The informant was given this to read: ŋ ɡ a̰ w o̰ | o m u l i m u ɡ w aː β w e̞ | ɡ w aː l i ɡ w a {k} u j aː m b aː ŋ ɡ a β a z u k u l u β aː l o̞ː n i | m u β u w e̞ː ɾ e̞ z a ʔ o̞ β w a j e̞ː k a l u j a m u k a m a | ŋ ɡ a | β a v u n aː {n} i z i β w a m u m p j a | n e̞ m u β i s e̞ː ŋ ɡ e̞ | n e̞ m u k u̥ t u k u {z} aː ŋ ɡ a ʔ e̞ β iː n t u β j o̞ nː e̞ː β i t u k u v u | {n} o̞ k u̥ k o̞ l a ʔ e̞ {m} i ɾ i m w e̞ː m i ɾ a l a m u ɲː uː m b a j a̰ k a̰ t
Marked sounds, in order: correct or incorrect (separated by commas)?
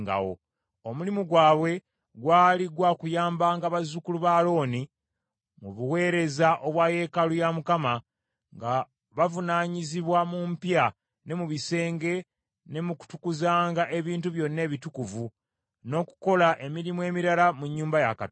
correct, incorrect, correct, correct, correct